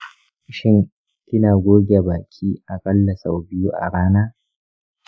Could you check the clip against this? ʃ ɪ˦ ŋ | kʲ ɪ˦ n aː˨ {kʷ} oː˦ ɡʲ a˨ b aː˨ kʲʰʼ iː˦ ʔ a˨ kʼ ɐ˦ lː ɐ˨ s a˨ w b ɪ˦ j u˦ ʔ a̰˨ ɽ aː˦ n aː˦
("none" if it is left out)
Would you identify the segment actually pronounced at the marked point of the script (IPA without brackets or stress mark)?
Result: ɡʷ